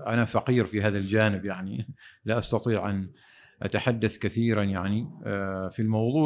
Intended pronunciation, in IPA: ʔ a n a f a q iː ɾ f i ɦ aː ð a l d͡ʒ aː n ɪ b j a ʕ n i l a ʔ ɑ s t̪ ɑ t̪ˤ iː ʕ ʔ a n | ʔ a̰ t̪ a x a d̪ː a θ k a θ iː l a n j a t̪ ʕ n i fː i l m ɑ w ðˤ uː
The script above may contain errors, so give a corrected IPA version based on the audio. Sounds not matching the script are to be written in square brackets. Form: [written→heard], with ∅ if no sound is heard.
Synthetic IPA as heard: ʔ a n a f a q iː ɾ f i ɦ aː ð a l d͡ʒ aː n ɪ b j a ʕ n i l a ʔ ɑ s t̪ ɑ t̪ˤ iː ʕ ʔ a n | ʔ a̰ t̪ a [x→ħ] a d̪ː a θ k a θ iː [l→ɾ] a n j a [t̪→∅] ʕ n i [fː→f] i l m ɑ w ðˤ uː